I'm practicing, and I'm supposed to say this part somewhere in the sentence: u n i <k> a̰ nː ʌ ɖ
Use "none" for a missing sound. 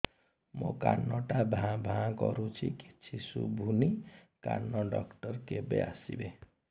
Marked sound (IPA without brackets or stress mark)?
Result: k